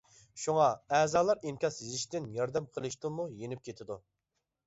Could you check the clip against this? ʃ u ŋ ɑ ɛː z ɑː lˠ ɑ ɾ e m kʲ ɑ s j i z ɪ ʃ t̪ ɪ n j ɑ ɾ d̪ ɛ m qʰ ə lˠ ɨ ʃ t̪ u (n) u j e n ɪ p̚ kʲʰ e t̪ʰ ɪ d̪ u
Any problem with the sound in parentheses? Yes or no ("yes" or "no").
yes